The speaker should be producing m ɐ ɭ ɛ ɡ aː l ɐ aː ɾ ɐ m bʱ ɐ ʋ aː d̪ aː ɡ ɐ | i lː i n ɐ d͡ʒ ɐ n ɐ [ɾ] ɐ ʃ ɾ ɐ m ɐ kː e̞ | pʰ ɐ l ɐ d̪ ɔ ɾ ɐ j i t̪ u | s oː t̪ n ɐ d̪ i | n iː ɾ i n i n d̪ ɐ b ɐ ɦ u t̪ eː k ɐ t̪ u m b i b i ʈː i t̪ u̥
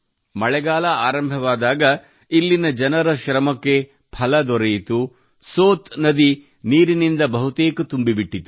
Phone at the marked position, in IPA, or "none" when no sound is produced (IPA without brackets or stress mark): ɾ